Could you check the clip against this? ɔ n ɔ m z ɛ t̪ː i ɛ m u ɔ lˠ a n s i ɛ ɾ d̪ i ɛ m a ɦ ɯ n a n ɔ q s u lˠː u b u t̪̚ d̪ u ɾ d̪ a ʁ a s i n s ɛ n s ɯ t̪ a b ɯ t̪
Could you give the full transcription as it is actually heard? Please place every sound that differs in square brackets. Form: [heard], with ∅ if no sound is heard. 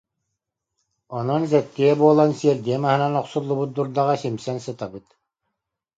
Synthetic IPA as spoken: ɔ n ɔ [n] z ɛ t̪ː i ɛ [b] u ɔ lˠ a n s i ɛ ɾ d̪ i ɛ m a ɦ ɯ n a n ɔ q s u lˠː u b u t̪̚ d̪ u ɾ d̪ a ʁ a s i [m] s ɛ n s ɯ t̪ a b ɯ t̪